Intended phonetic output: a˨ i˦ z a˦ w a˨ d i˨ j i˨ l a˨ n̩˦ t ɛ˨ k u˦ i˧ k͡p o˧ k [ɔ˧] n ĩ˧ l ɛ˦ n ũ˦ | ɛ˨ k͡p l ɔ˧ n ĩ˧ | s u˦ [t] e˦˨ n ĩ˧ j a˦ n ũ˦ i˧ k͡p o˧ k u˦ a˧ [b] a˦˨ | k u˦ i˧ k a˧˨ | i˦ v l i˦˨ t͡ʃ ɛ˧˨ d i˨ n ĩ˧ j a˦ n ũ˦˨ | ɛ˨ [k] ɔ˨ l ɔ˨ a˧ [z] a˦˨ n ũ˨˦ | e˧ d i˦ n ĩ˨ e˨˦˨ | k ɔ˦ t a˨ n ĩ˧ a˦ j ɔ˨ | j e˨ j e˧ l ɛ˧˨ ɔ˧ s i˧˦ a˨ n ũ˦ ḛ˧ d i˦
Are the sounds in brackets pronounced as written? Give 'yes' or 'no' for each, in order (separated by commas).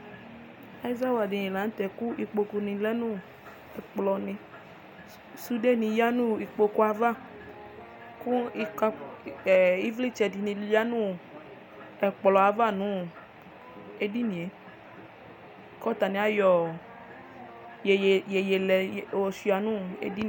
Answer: no, no, no, no, no